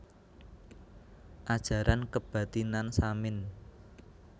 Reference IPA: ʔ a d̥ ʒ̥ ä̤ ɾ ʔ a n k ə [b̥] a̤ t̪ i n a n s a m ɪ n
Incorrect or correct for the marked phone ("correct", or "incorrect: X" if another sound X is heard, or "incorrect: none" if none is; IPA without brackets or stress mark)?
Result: correct